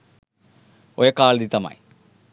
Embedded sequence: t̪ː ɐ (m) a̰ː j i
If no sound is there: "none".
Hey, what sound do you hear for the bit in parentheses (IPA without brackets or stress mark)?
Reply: m